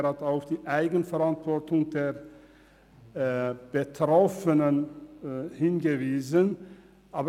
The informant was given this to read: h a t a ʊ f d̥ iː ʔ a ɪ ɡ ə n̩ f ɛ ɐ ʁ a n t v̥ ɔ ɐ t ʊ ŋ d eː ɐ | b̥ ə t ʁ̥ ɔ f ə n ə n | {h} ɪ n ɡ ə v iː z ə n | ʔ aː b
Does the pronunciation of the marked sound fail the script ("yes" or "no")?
no